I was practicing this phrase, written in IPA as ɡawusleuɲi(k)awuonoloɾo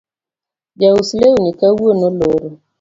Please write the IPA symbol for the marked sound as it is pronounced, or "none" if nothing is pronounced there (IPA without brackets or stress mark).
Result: k